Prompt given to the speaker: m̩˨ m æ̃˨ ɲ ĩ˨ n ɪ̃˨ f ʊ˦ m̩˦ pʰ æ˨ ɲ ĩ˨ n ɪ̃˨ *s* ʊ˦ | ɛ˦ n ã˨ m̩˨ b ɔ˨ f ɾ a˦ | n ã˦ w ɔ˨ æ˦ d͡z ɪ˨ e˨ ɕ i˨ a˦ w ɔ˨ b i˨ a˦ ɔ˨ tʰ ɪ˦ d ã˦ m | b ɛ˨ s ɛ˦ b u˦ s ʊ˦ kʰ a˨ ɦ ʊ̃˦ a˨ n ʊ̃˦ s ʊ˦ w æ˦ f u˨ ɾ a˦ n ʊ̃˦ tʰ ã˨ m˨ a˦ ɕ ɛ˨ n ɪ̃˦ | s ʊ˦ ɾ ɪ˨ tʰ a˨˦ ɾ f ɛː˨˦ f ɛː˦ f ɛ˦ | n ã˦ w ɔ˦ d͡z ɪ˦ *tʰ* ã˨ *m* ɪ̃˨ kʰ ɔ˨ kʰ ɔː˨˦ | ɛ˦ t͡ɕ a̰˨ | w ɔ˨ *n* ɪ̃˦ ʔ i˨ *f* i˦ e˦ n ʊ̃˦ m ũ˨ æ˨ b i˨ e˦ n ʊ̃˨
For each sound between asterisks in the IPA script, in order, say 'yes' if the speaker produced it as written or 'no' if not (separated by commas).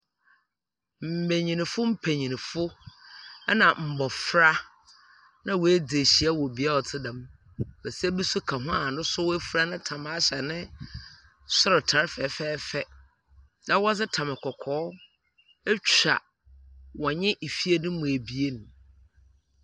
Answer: no, yes, yes, no, yes